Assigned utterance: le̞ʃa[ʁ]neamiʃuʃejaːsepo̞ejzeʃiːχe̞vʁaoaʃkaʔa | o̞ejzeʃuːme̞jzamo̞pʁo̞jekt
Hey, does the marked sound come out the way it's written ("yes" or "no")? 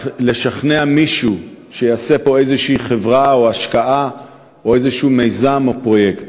no